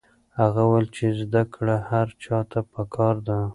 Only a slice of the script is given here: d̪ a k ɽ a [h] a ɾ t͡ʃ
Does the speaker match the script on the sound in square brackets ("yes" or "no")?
yes